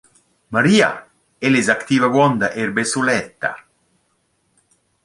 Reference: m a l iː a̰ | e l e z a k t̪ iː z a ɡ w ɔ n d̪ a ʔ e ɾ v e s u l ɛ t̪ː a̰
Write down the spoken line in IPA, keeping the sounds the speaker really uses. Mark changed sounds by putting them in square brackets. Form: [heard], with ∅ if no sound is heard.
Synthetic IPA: m a [ɾ] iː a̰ | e l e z a k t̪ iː [v] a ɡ w ɔ n d̪ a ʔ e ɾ [b] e s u l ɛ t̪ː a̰